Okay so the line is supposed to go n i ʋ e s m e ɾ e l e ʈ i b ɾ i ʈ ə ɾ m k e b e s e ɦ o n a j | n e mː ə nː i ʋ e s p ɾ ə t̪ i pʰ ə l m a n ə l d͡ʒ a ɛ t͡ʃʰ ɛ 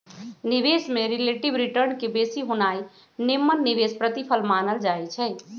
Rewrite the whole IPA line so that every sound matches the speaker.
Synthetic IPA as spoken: n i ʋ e s m e ɾ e l e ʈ i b ɾ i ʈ ə ɾ n k e b e s i ɦ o n a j | n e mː ə nː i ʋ e s p ɾ ə t̪ i pʰ ə l m a n ə l d͡ʒ a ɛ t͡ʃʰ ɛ